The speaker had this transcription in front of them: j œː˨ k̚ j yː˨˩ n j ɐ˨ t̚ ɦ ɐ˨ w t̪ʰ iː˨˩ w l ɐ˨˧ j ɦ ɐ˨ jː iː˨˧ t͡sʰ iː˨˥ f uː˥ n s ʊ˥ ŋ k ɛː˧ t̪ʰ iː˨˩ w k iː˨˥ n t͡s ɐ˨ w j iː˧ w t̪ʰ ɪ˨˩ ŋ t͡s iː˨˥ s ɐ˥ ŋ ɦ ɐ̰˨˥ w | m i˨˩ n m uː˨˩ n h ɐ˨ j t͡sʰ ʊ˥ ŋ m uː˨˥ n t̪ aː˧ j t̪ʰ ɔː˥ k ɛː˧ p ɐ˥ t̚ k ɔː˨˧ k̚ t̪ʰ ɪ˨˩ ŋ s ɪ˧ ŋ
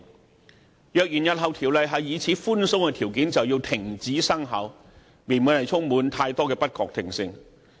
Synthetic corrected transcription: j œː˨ k̚ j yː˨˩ n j ɐ˨ t̚ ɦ ɐ˨ w t̪ʰ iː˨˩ w l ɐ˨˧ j ɦ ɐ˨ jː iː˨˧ t͡sʰ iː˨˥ f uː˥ n s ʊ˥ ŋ k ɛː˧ t̪ʰ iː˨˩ w k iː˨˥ n t͡s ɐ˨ w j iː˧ w t̪ʰ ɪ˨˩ ŋ t͡s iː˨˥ s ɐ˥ ŋ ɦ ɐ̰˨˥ w | m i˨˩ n m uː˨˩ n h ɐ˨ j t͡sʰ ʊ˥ ŋ m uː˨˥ n t̪ʰ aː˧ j t̪ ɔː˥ k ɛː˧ p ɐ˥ t̚ k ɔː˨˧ k̚ t̪ʰ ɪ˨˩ ŋ s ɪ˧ ŋ